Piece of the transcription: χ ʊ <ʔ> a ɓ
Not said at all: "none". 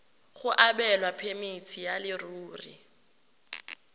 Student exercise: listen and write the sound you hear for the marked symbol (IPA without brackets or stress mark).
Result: ʔ